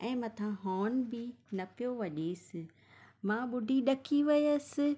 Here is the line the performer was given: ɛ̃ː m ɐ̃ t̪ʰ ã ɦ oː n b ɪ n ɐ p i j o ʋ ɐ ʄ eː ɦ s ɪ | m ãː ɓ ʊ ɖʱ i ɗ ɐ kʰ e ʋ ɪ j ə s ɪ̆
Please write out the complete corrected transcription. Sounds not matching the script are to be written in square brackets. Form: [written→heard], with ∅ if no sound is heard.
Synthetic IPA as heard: ɛ̃ː m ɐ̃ t̪ʰ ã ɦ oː n b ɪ n ɐ p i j o ʋ ɐ ʄ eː [ɦ→∅] s ɪ | m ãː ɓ ʊ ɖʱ i ɗ ɐ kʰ [e→i] ʋ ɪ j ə s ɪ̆